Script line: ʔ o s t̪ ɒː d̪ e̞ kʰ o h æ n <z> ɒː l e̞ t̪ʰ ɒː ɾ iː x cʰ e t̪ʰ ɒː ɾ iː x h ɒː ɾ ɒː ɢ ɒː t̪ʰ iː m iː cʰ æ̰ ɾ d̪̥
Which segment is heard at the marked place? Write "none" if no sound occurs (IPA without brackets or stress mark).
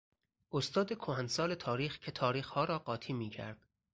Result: s